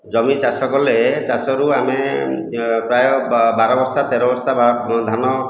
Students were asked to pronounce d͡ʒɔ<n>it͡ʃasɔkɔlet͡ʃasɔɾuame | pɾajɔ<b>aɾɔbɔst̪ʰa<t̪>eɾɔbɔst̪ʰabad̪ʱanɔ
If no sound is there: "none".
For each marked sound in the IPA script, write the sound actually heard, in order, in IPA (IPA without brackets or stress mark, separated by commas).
m, b, t̪